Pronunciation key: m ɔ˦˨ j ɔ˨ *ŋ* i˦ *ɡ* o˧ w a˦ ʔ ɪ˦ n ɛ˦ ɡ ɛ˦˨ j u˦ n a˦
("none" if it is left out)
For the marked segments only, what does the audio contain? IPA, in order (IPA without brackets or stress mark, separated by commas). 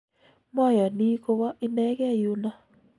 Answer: n, k